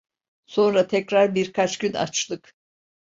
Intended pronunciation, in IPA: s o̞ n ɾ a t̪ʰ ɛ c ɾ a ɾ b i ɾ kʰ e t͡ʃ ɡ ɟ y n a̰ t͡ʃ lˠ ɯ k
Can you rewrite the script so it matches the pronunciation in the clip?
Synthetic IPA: s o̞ n ɾ a t̪ʰ ɛ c ɾ a ɾ b i ɾ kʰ a t͡ʃ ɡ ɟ y n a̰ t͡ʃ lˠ ɯ k